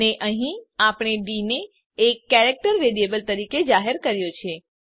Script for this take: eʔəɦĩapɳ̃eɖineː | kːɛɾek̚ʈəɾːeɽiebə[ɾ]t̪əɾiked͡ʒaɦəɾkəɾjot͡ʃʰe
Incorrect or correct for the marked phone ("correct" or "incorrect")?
incorrect